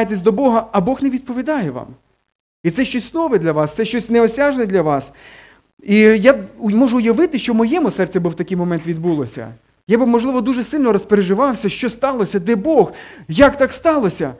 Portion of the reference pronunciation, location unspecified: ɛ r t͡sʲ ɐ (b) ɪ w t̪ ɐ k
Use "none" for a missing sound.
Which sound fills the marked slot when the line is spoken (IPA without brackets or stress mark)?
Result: b